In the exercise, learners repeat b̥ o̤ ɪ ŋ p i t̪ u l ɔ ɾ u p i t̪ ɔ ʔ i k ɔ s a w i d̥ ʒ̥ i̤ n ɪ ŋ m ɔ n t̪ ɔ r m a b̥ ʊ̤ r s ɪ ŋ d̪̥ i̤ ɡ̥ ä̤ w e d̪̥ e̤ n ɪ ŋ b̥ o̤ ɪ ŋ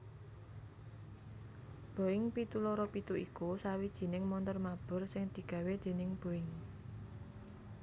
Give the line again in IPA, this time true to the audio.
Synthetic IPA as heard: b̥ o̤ ɪ ŋ p i t̪ u l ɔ ɾ ɔ p i t̪ u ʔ i k u s a w i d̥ ʒ̥ i̤ n ɪ ŋ m ɔ n t̪ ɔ r m a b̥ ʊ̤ r s ɪ ŋ d̪̥ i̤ ɡ̥ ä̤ w e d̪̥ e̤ n ɪ ŋ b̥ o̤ ɪ ŋ